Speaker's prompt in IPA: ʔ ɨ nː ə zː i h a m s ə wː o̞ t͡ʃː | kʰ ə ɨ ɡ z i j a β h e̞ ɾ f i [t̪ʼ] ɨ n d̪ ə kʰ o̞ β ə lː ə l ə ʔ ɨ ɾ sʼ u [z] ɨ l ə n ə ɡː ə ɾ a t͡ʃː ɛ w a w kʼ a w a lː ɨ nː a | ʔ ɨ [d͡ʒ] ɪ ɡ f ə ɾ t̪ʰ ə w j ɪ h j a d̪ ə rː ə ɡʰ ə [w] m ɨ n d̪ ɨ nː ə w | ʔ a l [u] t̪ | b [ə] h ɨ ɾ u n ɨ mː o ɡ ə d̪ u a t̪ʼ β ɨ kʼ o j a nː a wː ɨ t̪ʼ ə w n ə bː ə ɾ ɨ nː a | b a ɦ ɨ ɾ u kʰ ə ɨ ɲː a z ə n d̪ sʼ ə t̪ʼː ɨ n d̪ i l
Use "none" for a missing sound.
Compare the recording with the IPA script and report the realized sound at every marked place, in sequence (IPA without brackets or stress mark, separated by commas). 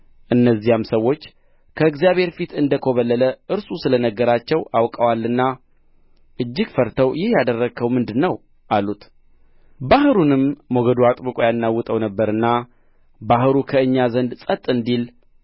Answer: t̪, s, d͡ʒː, w, u, a